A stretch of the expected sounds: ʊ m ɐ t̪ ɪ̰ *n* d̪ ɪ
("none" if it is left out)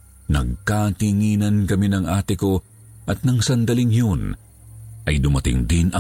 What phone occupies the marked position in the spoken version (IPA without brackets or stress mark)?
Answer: ŋ